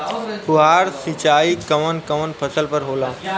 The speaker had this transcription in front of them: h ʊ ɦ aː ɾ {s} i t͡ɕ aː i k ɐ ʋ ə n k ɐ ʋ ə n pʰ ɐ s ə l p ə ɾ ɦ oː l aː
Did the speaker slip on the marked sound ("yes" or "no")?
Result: no